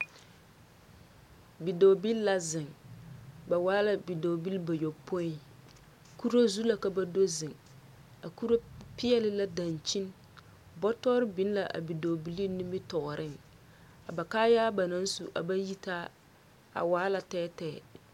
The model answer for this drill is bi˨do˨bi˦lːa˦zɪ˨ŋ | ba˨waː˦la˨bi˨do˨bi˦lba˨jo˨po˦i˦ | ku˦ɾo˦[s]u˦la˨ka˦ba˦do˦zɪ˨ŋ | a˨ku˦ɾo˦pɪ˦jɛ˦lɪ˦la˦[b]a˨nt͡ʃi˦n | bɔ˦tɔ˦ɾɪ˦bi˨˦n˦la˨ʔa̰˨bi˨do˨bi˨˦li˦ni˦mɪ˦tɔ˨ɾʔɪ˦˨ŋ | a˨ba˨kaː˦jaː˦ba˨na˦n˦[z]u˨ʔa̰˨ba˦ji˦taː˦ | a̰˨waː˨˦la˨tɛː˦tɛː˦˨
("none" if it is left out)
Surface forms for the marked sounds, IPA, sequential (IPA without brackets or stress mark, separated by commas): z, d, s